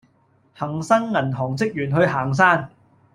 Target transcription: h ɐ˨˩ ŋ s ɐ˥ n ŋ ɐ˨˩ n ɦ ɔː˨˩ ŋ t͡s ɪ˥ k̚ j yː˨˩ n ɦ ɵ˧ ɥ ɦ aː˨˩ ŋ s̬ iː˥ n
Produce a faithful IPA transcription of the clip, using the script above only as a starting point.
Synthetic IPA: h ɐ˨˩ ŋ s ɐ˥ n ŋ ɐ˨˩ n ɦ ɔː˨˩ ŋ t͡s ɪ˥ k̚ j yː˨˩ n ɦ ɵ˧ ɥ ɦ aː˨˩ ŋ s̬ aː˥ n